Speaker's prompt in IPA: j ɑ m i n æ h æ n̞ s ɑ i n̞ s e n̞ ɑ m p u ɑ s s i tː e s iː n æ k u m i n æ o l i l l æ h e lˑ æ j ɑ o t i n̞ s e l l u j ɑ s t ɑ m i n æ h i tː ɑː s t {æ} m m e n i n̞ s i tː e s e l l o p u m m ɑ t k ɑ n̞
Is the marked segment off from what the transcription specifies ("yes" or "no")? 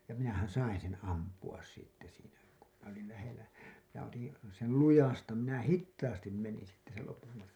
yes